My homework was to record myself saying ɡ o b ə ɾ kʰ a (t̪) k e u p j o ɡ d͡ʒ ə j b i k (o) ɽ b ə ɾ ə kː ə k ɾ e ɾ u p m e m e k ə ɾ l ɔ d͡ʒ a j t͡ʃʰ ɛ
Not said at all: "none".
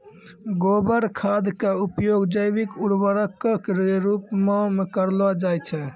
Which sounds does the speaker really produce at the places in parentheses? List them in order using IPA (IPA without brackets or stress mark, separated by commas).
d̪, u